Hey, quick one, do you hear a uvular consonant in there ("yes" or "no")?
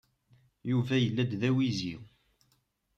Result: no